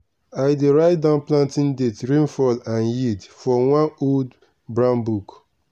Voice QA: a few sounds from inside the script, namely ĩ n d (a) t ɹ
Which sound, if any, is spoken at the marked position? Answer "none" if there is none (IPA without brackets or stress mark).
e